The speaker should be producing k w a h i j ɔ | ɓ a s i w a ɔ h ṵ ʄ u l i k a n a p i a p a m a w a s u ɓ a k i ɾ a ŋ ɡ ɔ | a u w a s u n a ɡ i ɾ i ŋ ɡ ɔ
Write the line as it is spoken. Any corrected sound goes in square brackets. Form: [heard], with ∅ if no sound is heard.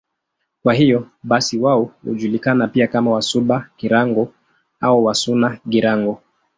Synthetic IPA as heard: k w a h i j ɔ | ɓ a s i w a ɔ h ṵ ʄ u l i k a n a p i a [k] a m a w a s u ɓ a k i ɾ a ŋ ɡ ɔ | a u w a s u n a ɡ i ɾ [a] ŋ ɡ ɔ